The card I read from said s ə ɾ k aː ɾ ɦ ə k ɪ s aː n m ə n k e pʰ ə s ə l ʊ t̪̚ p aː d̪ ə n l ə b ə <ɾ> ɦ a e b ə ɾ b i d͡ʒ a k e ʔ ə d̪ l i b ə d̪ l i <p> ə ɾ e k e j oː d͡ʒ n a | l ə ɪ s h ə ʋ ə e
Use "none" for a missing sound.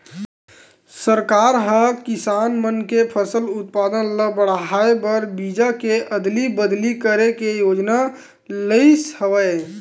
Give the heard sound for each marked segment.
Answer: ɽ, k

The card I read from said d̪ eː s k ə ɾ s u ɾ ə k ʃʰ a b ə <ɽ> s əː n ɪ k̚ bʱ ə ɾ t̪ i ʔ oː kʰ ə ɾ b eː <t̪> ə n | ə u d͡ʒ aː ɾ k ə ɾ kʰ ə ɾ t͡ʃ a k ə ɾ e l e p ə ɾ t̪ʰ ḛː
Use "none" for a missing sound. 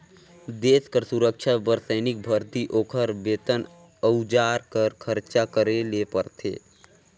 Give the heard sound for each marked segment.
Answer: ɾ, t̪

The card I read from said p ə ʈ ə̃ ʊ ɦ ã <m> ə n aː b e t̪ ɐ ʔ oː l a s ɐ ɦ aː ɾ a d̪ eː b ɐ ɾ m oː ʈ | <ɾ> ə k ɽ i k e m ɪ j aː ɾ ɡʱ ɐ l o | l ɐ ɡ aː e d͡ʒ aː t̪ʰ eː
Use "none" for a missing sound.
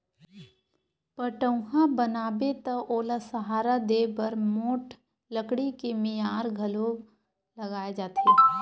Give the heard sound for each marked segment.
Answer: b, l

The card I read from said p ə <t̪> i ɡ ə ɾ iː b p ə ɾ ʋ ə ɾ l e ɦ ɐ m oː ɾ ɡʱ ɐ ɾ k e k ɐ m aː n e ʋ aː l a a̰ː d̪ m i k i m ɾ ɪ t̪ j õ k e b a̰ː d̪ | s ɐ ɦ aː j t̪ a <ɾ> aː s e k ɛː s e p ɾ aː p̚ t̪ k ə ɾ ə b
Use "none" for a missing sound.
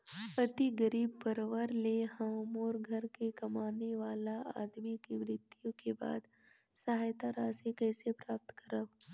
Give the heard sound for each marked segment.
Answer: t̪, ɾ

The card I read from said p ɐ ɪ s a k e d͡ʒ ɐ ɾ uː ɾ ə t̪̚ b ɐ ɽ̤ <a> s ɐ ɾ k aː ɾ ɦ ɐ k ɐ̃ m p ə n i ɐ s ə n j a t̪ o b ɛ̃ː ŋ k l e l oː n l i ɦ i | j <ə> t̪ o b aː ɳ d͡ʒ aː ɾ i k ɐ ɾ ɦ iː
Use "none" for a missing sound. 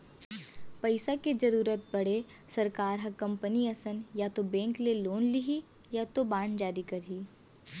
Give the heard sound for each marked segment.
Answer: e, a

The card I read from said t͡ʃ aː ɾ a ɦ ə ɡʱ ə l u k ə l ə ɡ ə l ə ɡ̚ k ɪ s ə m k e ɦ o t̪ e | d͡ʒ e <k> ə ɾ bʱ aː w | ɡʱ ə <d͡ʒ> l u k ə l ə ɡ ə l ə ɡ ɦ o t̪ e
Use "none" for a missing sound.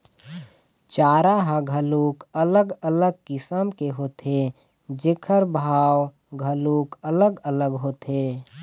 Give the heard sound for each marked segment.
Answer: kʰ, none

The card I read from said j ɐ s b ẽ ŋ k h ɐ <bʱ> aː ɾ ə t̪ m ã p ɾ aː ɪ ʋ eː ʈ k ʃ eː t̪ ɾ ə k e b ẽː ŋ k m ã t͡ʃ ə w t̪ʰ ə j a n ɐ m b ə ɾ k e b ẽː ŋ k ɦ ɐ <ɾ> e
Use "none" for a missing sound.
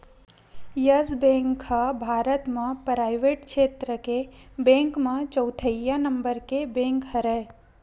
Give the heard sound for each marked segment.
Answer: bʱ, ɾ

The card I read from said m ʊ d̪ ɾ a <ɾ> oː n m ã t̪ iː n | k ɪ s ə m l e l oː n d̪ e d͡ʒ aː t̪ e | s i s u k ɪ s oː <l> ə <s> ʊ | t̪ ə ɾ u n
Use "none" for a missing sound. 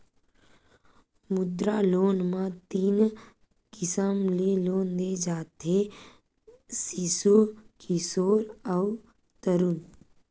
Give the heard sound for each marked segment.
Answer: l, ɾ, none

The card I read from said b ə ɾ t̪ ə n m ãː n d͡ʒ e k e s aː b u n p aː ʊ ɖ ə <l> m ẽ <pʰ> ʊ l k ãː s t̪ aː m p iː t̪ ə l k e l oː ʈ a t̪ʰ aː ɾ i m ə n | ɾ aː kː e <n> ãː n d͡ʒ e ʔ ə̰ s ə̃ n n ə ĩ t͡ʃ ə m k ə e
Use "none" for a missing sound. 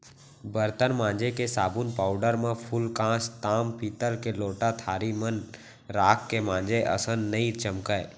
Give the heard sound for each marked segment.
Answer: ɾ, pʰ, m

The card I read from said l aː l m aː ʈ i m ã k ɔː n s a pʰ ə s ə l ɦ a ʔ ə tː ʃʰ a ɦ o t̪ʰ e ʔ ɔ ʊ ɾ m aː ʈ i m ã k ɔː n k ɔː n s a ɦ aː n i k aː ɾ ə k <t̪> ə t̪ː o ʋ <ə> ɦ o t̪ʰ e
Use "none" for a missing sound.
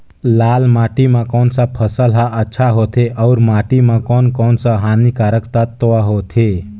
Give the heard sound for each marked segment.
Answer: t̪, a

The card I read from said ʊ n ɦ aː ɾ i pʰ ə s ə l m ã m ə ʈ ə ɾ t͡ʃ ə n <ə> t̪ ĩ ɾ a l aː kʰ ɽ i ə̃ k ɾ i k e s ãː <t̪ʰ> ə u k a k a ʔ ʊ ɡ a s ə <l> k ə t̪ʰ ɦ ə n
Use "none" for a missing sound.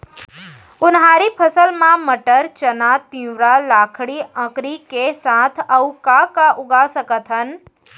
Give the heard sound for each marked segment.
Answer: a, t̪ʰ, none

